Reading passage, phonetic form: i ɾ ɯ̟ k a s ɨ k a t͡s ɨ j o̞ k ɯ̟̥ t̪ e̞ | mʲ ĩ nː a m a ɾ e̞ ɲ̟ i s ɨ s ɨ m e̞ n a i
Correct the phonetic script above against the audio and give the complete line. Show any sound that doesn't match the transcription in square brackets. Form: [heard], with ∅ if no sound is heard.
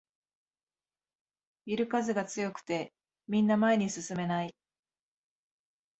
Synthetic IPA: i ɾ ɯ̟ k a [z] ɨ [ɡ] a t͡s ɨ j o̞ k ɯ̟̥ t̪ e̞ | mʲ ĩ nː a m a [∅] e̞ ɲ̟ i s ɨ s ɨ m e̞ n a i